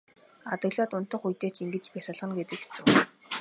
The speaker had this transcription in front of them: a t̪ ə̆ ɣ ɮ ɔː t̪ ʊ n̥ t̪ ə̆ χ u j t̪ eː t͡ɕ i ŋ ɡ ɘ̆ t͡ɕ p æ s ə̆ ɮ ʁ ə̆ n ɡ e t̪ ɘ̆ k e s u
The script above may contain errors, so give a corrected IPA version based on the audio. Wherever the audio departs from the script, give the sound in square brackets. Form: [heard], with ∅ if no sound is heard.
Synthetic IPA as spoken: a t̪ ə̆ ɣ ɮ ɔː t̪ ʊ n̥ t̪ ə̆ χ u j t̪ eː t͡ɕ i ŋ ɡ ɘ̆ t͡ɕ p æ s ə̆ ɮ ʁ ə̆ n ɡ e t̪ ɘ̆ k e [t͡s] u